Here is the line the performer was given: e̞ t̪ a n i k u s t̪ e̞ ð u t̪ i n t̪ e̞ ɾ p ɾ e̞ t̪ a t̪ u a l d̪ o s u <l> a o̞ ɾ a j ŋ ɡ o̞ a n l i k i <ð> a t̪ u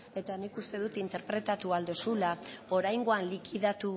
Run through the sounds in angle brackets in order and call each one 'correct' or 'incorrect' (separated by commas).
correct, correct